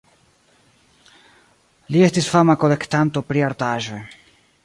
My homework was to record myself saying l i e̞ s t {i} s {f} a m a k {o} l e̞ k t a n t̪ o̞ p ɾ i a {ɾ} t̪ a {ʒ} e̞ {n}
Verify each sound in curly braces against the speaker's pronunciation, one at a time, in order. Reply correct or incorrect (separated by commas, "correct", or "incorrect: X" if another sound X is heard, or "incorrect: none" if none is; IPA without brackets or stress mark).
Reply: correct, correct, correct, correct, correct, incorrect: none